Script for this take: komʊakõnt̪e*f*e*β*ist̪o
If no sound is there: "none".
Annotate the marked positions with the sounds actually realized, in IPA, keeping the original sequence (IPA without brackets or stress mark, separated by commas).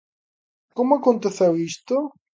θ, w